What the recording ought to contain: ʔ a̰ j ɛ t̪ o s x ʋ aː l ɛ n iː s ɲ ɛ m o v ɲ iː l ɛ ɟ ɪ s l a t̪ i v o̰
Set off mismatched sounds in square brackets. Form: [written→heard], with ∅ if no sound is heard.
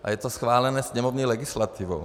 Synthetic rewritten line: ʔ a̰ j ɛ t̪ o s x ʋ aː l ɛ n [iː→ɛː] s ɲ ɛ m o v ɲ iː l ɛ [ɟ→ɡ] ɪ s l a t̪ i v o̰